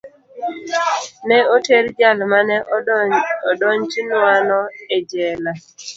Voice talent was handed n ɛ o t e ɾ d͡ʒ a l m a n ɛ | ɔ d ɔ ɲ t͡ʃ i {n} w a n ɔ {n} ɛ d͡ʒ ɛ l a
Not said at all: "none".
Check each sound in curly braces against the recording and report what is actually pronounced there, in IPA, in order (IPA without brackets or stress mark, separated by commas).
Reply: n, none